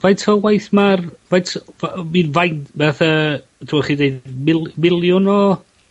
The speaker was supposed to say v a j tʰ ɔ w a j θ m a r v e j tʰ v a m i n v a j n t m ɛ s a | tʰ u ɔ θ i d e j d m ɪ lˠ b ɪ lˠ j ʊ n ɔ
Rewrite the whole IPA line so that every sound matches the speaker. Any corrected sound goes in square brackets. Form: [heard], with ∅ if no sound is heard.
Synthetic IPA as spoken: v a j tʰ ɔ w a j θ m a r v [a] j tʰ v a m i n v a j n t [b] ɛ [θ] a | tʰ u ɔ [χ] i d e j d m ɪ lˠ [m] ɪ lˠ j ʊ n ɔ